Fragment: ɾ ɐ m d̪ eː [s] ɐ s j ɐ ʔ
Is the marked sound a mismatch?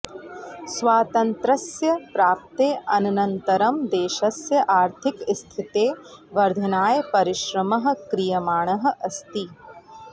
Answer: yes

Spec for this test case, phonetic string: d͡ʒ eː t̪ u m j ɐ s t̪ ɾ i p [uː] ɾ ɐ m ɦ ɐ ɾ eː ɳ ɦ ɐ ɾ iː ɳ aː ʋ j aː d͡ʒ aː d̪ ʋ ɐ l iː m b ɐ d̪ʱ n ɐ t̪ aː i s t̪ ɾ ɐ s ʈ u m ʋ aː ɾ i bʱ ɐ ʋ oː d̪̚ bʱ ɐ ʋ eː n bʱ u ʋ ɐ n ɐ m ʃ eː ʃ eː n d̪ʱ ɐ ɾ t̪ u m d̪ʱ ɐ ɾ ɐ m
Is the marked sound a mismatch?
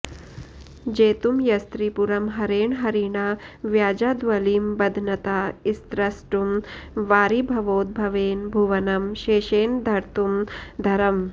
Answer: yes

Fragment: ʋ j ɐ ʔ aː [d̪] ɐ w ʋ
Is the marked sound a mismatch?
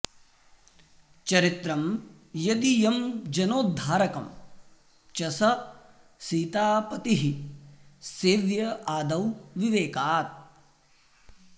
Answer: no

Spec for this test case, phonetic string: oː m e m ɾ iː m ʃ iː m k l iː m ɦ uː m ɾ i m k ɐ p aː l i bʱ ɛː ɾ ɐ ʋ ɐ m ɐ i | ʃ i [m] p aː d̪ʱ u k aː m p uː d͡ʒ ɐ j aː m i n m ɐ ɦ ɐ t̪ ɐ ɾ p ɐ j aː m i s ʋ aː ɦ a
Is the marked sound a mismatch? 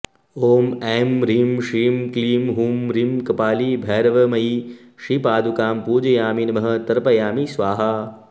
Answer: yes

